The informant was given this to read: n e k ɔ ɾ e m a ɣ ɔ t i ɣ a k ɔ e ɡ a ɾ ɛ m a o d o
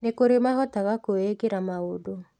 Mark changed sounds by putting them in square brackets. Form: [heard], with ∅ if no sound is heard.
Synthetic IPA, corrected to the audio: n e k [o] ɾ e m a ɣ ɔ t [a] ɣ a k [o] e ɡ [e] ɾ [a] m a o d o